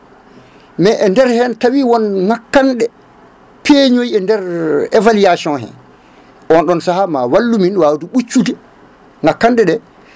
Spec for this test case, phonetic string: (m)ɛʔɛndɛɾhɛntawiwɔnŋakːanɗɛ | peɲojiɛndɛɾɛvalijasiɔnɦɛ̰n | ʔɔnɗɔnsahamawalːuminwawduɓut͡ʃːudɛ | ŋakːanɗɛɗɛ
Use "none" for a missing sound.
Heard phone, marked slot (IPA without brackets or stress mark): m